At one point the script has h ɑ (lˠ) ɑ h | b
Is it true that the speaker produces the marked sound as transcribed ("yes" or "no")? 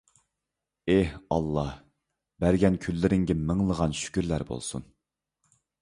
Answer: no